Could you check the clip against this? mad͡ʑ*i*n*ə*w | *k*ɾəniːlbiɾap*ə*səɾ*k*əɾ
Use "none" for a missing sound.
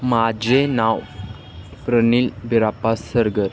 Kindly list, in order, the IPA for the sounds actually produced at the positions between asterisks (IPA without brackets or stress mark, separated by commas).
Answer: e, a, p, a, ɡ